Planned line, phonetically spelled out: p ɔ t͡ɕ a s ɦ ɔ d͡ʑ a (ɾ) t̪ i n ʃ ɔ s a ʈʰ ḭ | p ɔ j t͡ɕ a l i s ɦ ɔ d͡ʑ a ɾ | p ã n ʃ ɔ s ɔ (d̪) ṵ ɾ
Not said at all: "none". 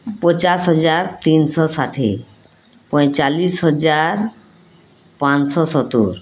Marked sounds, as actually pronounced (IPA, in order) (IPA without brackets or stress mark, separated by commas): ɾ, t̪